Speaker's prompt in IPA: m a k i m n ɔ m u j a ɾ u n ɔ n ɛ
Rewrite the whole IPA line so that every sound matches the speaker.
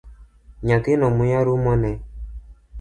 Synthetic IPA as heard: ɲ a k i n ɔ m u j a ɾ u m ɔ n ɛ